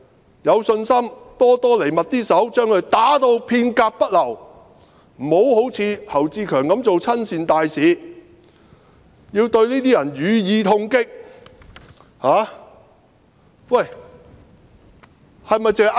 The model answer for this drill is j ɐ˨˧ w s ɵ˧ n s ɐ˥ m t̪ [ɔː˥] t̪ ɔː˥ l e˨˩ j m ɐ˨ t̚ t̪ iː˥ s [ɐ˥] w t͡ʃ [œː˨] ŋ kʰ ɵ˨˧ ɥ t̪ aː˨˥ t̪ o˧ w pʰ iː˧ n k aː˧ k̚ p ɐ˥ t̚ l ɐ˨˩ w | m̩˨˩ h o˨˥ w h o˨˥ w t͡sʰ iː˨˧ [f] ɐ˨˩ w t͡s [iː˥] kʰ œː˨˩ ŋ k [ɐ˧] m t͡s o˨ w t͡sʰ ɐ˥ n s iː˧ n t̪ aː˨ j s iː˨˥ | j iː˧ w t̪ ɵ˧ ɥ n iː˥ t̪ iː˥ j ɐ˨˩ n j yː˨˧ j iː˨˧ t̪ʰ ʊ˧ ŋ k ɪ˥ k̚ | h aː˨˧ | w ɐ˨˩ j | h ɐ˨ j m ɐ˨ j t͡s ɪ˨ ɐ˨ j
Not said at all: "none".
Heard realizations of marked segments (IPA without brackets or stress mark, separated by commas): ɔː˥, ɐ˨˥, œː˥, h, iː˧, ɐ˨˥